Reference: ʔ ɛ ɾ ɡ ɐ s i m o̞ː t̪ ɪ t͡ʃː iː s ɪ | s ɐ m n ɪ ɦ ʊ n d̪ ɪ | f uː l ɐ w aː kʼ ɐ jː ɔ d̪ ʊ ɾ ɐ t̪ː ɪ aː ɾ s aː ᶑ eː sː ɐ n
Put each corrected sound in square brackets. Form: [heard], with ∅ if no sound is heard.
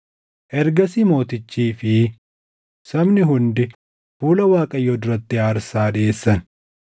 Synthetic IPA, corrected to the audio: ʔ ɛ ɾ ɡ ɐ s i m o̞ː t̪ ɪ t͡ʃː iː [f] ɪ | s ɐ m n ɪ ɦ ʊ n d̪ ɪ | f uː l ɐ w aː kʼ ɐ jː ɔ d̪ ʊ ɾ ɐ t̪ː ɪ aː ɾ s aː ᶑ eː sː ɐ n